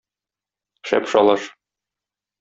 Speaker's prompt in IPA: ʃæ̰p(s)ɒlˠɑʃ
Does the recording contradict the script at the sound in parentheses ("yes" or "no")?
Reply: yes